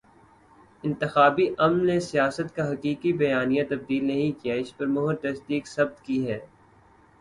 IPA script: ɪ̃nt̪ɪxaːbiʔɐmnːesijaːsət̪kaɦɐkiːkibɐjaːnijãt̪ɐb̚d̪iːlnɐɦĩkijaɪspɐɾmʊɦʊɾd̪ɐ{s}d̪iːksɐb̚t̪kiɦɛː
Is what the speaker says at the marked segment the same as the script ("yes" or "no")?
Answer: yes